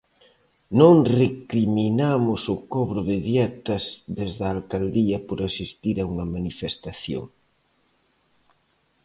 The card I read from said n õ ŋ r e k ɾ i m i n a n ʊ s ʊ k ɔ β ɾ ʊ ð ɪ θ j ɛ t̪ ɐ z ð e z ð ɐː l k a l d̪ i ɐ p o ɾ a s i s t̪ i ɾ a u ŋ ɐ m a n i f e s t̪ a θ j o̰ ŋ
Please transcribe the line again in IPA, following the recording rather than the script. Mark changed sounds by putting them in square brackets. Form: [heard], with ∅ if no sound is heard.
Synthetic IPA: n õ ŋ r e k ɾ i m i n a [m] ʊ s ʊ k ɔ β ɾ ʊ ð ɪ [ð] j ɛ t̪ ɐ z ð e z ð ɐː l k a l d̪ i ɐ p o ɾ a s i s t̪ i ɾ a u ŋ ɐ m a n i f e s t̪ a θ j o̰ ŋ